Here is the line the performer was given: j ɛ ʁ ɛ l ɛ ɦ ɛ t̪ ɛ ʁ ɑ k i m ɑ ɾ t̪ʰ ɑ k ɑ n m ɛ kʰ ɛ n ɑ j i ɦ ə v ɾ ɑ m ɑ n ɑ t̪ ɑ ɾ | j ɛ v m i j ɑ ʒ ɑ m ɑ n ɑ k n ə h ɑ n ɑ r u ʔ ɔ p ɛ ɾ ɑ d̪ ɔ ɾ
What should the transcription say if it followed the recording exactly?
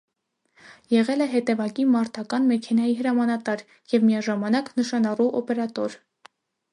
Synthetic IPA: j ɛ ʁ ɛ l ɛ ɦ ɛ t̪ ɛ v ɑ k i m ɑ ɾ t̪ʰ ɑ k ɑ n m ɛ kʰ ɛ n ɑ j i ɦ ə ɾ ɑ m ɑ n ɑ t̪ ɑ ɾ | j ɛ v m i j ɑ ʒ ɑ m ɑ n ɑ k n ə ʃ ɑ n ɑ r u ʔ ɔ p ɛ ɾ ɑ t̪ ɔ ɾ